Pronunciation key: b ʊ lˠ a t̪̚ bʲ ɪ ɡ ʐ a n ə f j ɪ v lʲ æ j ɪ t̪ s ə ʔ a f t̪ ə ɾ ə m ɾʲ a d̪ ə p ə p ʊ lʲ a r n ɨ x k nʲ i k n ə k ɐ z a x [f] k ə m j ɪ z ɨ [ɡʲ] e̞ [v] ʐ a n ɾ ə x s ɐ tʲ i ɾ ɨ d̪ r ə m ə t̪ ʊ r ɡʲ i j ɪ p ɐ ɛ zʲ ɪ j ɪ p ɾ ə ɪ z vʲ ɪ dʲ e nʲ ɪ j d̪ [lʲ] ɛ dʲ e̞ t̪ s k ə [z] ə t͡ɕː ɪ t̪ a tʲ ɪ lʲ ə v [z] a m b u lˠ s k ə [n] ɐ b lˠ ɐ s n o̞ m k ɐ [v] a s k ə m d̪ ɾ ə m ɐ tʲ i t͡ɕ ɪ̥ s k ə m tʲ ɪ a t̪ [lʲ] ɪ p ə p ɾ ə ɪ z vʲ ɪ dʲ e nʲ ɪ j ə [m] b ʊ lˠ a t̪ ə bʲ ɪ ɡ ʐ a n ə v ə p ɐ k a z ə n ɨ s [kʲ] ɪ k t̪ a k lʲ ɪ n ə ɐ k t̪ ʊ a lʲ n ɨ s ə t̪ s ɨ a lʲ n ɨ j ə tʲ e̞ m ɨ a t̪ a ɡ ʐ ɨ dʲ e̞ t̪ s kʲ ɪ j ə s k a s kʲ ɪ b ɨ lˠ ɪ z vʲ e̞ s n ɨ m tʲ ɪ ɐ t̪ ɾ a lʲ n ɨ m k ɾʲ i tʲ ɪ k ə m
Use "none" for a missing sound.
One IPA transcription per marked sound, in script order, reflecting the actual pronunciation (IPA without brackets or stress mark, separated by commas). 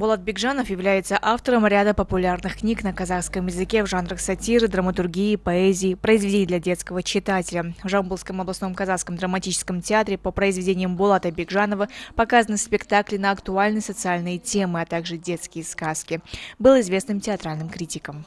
s, kʲ, v, lʲ, v, ʐ, m, z, ɾʲ, m, pʲ